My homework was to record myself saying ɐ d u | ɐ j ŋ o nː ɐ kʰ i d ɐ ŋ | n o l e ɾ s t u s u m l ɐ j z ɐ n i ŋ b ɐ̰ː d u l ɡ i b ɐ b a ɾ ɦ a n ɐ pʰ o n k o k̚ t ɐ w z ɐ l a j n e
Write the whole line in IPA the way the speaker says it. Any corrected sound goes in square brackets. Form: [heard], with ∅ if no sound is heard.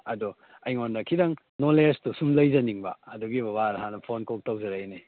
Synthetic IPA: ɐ d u | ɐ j ŋ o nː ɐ kʰ i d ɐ ŋ | n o l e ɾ s t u s u m l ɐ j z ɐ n i ŋ b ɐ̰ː d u [∅] ɡ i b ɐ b a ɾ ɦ a n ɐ pʰ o n k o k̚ t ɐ w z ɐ [ɾ] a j n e